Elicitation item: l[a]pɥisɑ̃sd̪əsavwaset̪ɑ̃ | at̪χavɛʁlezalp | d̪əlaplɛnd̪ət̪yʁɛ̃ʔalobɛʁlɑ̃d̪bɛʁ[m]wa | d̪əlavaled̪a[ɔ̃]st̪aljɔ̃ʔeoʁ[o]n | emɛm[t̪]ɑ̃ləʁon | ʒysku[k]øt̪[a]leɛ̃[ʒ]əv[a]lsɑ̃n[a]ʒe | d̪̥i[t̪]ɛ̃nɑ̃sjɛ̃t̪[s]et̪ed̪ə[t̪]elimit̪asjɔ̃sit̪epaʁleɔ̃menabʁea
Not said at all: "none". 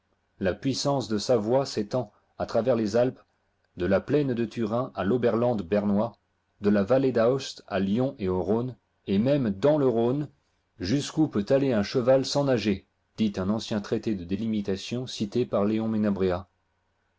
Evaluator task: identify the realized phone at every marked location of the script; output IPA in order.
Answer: a, n, ɔ, o, d̪, p, a, ʃ, a, a, t̪, χ, d̪

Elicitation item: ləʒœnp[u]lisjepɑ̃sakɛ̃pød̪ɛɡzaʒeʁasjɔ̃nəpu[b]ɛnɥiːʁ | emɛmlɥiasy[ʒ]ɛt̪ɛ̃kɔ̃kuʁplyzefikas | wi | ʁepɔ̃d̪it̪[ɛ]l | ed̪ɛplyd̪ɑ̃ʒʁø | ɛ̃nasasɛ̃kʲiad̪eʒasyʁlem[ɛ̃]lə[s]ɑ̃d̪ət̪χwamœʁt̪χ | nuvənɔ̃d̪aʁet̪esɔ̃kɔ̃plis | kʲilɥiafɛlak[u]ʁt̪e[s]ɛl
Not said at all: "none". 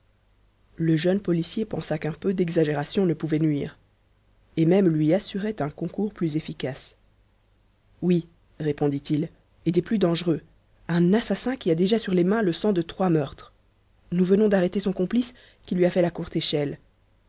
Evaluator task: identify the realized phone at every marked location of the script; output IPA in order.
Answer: ɔ, v, ʁ, i, ɛ̃, s, u, ʃ

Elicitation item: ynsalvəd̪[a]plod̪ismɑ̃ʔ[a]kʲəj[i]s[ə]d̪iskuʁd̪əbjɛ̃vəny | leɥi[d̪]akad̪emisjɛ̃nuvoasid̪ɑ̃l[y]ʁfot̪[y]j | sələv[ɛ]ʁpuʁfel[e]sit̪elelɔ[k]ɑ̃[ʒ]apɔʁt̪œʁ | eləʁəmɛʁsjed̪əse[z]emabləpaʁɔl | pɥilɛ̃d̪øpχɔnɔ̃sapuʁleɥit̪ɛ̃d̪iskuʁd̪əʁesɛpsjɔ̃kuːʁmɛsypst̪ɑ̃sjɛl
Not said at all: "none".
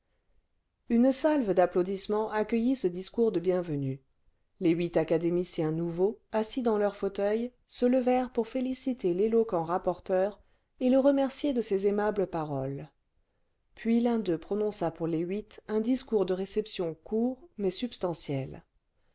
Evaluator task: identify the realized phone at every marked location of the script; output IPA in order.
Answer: a, a, i, ə, t̪, œ, œ, ɛ, i, k, ʁ, z

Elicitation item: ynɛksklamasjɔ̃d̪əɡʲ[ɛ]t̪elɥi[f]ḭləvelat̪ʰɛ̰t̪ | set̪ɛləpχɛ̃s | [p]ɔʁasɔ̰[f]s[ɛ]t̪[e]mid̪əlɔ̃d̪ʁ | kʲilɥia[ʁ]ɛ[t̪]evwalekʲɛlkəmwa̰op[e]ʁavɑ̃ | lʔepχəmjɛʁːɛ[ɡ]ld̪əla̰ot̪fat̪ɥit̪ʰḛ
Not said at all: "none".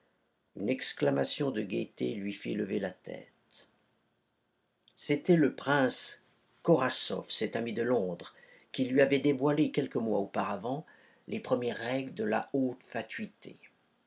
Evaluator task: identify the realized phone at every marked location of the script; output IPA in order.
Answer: e, f, k, f, ɛ, a, v, d̪, a, ɡ

